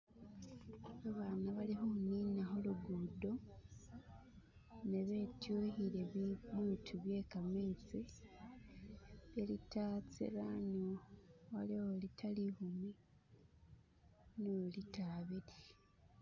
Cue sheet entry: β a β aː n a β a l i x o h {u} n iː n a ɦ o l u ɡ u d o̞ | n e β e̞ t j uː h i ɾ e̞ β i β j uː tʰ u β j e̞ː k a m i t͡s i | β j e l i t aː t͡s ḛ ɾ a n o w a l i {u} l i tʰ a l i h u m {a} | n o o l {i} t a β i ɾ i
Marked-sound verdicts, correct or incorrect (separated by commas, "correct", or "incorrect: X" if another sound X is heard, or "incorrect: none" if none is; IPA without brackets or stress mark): correct, incorrect: o, incorrect: i, correct